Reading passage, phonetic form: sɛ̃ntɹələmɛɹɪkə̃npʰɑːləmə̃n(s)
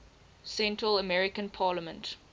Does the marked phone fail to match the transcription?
yes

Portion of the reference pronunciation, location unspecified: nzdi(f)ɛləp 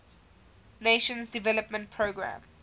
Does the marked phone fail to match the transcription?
yes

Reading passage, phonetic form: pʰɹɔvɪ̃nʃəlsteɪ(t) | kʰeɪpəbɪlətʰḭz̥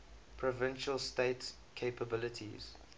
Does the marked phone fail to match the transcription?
no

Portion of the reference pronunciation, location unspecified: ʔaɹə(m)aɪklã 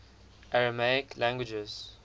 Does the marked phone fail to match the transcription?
no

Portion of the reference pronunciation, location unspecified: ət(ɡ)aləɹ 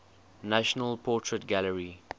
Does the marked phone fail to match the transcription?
no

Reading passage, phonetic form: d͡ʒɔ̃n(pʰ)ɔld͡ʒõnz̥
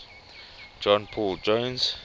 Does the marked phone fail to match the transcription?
no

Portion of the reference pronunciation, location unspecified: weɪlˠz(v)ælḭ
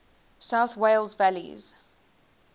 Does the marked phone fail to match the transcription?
no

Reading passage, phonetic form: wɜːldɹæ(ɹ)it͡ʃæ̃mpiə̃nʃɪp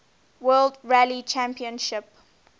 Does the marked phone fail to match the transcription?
yes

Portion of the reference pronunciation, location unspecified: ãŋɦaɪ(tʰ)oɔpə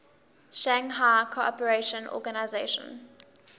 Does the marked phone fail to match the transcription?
yes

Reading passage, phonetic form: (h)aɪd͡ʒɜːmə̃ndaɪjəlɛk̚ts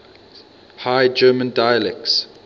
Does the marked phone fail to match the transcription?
no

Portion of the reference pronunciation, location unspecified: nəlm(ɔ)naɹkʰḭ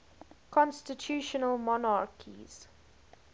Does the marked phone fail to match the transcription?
no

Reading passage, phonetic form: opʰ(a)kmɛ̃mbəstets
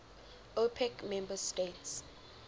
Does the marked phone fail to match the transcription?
yes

